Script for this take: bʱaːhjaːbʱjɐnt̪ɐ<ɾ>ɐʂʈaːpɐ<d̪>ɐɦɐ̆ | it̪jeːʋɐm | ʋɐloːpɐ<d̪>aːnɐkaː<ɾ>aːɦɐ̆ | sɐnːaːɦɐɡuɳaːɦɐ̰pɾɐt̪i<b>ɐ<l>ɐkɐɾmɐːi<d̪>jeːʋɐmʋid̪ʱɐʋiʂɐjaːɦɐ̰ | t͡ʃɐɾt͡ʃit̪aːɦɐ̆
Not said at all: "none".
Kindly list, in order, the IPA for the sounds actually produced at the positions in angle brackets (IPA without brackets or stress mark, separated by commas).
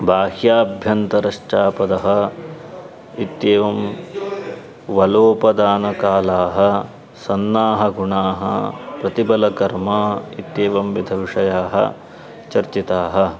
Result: ɾ, d̪, d̪, l, b, l, t̪